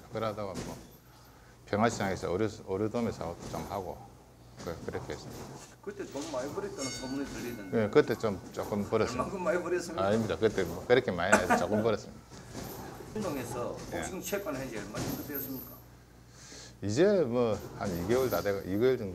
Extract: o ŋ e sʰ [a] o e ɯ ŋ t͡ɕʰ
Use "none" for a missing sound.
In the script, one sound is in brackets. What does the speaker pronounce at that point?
ʌ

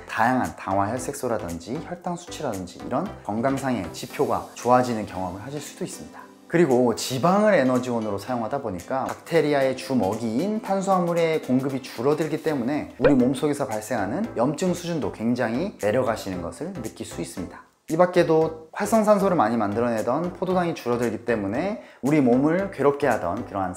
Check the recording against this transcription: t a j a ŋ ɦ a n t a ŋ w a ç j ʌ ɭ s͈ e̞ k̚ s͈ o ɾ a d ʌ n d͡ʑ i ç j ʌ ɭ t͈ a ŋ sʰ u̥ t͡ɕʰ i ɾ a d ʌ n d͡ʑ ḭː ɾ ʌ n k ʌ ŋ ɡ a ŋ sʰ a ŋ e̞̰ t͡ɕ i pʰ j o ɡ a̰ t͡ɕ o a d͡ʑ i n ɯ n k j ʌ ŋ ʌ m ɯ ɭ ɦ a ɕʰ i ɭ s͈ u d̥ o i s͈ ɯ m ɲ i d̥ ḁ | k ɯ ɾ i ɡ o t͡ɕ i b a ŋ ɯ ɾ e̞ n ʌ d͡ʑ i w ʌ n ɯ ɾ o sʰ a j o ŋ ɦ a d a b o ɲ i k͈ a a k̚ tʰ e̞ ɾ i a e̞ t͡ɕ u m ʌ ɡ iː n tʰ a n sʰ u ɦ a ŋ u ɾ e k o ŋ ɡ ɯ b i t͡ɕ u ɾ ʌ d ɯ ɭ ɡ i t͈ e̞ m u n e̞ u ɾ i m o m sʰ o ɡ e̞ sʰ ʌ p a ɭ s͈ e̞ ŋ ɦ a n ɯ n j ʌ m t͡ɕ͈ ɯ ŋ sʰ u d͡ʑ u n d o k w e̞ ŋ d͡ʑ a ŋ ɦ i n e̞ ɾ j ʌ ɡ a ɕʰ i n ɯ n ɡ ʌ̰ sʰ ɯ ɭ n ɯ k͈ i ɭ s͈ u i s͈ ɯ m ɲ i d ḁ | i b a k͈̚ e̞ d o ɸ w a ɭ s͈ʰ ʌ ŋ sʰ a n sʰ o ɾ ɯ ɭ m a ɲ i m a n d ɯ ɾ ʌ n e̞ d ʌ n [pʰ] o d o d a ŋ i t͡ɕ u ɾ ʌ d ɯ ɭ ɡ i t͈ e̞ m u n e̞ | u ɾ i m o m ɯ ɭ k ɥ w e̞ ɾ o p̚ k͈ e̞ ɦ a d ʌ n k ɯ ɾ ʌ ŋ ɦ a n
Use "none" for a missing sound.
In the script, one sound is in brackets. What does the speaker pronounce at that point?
pʰ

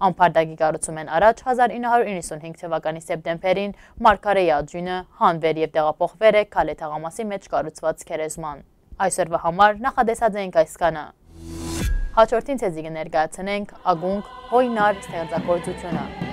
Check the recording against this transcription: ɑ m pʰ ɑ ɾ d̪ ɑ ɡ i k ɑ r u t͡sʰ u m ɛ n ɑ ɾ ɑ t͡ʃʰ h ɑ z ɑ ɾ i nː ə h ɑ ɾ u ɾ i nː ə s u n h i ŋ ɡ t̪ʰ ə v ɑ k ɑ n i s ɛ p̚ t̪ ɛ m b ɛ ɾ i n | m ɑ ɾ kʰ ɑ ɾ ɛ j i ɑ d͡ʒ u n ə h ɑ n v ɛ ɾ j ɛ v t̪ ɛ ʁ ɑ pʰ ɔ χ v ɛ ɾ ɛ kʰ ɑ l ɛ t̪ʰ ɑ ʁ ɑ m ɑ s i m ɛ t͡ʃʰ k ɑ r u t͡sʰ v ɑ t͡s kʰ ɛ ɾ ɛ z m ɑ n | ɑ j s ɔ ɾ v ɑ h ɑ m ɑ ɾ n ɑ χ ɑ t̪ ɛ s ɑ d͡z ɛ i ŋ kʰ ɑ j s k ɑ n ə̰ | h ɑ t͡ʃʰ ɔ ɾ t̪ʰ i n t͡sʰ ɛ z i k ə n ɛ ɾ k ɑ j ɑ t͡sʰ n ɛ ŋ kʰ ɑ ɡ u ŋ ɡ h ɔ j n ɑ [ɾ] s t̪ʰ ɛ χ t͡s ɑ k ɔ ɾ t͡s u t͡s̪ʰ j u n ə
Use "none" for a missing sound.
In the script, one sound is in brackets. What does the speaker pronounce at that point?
ɾ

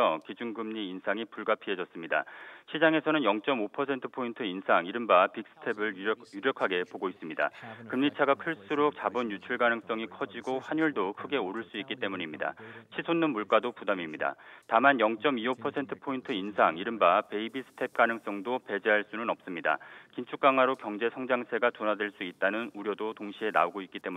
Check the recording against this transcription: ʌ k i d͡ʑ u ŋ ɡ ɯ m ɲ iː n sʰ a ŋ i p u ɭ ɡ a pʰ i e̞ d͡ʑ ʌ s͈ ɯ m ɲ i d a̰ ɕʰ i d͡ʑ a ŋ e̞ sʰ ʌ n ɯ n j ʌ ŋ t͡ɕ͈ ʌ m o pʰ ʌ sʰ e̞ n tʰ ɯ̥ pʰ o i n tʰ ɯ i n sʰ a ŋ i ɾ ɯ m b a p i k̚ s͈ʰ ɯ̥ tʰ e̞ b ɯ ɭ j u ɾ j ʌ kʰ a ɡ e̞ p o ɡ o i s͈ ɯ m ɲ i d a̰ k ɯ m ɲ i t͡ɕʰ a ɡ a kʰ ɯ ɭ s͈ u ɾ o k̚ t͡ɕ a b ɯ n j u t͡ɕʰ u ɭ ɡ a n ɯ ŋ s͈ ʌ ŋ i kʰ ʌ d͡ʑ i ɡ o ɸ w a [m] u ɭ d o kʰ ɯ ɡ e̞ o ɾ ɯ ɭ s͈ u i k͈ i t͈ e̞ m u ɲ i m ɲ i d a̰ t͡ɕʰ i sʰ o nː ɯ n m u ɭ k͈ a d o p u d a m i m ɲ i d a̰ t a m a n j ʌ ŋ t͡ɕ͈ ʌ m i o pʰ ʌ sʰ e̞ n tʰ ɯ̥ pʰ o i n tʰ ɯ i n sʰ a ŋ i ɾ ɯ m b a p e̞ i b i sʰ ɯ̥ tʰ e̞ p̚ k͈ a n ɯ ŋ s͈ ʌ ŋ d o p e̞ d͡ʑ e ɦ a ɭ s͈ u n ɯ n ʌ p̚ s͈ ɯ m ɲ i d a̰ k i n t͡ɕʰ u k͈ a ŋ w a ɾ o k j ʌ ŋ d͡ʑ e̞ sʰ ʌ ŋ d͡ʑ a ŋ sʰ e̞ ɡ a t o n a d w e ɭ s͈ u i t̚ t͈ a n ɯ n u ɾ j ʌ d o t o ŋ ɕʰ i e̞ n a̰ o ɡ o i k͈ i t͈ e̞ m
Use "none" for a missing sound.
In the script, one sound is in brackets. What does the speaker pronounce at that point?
ɲ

